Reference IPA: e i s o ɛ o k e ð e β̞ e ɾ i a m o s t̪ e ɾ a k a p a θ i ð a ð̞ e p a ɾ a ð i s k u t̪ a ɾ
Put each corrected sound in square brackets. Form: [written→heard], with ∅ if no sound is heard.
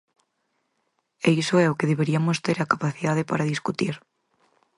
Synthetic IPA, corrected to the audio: e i s o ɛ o k e ð e β̞ e ɾ i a m o s t̪ e ɾ a k a p a θ i ð a ð̞ e p a ɾ a ð i s k u t̪ [a→i] ɾ